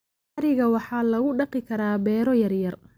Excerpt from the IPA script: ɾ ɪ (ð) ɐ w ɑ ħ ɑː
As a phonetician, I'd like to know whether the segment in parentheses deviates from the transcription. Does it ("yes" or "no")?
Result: yes